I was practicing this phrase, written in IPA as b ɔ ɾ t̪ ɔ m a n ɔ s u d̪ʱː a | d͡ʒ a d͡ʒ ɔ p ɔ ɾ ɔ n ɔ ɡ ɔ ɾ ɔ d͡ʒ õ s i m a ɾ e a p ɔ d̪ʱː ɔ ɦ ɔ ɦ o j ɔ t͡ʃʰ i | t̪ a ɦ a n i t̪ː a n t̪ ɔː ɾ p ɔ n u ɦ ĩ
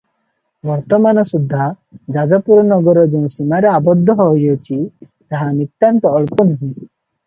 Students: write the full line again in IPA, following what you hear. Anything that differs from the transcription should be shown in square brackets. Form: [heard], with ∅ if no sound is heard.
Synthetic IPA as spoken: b ɔ ɾ t̪ ɔ m a n ɔ s u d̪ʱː a | d͡ʒ a d͡ʒ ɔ p [u] ɾ ɔ n ɔ ɡ ɔ ɾ ɔ d͡ʒ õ s i m a ɾ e a [b] ɔ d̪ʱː ɔ ɦ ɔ ɦ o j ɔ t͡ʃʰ i | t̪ a ɦ a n i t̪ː a n t̪ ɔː [ɭ] p ɔ n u ɦ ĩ